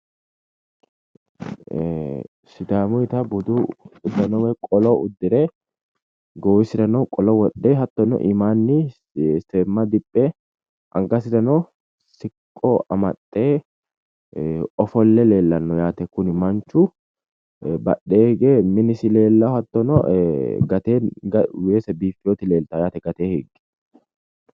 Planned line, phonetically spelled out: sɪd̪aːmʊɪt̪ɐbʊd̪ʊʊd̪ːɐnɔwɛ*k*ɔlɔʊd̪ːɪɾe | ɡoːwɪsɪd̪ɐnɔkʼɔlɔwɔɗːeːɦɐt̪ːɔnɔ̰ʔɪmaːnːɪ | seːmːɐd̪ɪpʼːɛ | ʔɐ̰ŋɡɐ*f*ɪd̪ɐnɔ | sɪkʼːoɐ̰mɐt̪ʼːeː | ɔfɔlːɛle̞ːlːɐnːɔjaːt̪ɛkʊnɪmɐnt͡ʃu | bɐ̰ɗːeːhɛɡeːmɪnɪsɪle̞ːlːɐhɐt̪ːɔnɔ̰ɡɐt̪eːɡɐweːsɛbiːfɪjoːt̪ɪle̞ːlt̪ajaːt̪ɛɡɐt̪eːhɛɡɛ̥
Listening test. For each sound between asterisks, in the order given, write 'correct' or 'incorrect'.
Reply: incorrect, incorrect

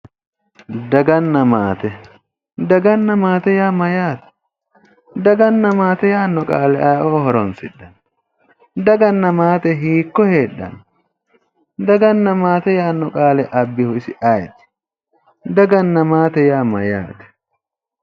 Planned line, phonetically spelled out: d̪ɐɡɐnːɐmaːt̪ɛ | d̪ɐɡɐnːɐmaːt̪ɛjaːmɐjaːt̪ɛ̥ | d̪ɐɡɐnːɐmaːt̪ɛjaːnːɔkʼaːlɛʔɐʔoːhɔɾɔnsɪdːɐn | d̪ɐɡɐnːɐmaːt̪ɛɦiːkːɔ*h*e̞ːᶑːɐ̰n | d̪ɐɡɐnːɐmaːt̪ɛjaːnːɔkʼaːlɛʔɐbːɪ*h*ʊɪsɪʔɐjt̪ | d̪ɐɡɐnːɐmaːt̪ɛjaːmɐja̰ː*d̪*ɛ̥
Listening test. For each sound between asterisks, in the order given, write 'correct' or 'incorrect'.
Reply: correct, correct, incorrect

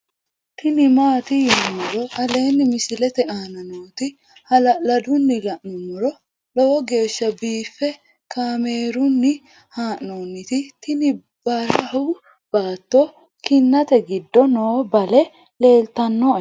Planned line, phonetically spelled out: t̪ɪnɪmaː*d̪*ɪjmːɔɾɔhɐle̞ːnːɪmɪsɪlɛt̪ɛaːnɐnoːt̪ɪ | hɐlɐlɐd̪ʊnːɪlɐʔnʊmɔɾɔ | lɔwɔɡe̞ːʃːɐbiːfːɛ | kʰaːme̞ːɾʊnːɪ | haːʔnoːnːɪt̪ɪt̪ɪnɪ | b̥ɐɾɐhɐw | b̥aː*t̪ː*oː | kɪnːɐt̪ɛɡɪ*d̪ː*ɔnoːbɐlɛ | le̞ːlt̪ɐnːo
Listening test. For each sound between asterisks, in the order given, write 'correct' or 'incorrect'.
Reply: incorrect, correct, correct

